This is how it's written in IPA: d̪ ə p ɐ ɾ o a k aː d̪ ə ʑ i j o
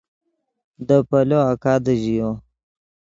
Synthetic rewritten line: d̪ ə p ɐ l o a k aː d̪ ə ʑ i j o